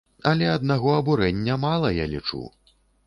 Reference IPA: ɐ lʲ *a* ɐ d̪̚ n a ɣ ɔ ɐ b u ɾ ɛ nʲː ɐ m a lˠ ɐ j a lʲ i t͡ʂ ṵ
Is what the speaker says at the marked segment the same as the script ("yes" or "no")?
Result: no